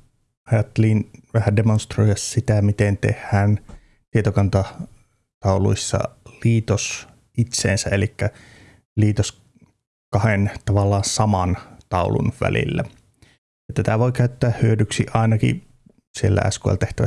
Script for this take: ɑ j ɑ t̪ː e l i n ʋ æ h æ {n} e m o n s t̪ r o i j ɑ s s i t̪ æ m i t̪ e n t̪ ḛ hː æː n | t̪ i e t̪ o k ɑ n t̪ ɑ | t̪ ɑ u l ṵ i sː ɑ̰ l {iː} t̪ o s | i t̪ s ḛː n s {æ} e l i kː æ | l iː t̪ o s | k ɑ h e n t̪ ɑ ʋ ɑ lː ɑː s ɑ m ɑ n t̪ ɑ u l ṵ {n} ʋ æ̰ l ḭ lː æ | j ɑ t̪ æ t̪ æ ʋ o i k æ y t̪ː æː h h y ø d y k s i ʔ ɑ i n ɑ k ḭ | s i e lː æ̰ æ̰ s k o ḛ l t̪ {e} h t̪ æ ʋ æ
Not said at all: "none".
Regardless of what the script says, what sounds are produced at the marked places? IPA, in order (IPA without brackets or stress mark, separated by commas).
d, iː, æ, n, e